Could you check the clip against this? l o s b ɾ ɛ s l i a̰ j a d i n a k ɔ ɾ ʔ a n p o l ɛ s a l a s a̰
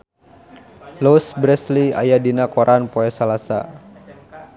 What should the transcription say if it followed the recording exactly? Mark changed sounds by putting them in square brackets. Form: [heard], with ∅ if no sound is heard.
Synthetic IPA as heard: l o s b ɾ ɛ s l i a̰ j a d i n a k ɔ ɾ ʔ a n p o [∅] ɛ s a l a s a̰